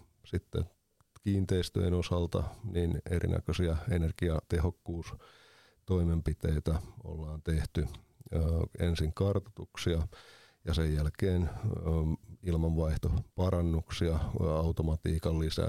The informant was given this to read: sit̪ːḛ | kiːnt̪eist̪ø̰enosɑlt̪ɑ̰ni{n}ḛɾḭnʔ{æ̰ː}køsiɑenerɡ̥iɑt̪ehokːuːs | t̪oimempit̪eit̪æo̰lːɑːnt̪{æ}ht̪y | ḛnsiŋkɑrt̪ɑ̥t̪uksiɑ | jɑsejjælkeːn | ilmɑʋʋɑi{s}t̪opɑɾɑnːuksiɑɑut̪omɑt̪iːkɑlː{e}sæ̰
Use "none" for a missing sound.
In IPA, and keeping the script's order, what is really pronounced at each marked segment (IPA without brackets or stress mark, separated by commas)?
n, æ̰, e, h, i